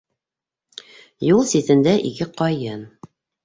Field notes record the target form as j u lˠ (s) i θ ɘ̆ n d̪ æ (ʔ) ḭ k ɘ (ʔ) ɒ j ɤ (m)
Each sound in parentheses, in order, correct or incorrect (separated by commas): correct, correct, incorrect, incorrect